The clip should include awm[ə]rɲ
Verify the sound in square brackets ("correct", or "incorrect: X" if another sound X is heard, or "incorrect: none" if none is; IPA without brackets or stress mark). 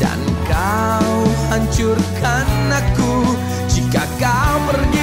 correct